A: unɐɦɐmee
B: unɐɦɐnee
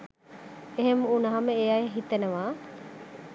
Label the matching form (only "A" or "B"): A